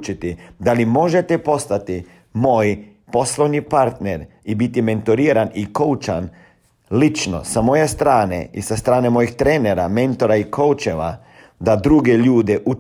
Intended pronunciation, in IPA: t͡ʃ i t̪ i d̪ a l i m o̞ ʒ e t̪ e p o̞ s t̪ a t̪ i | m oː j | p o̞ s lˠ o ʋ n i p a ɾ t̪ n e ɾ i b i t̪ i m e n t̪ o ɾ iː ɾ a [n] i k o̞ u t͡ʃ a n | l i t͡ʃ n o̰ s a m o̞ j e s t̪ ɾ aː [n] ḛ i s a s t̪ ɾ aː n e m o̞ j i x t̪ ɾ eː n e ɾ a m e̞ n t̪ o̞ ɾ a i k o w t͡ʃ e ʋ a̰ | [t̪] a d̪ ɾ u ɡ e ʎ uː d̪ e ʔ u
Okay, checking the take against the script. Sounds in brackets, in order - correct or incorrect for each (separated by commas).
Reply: correct, correct, incorrect